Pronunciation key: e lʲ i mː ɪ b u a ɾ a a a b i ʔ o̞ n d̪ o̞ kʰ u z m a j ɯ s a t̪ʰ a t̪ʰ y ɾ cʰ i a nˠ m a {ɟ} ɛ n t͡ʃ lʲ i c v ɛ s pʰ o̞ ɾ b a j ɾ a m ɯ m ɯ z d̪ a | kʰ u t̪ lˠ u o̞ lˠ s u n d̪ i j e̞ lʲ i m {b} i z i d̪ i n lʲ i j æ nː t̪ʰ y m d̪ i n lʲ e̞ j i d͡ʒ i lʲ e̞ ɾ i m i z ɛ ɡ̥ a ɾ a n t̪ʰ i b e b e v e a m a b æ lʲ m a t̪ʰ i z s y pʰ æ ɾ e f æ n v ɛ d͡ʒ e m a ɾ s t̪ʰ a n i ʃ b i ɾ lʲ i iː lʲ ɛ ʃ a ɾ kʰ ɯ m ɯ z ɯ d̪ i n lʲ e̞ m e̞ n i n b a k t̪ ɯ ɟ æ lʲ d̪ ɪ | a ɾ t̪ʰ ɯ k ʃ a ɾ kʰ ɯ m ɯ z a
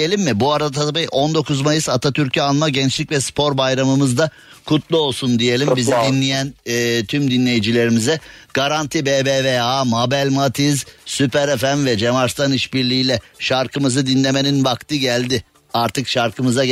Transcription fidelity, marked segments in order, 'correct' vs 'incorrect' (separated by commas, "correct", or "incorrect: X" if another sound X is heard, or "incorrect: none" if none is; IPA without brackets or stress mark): correct, correct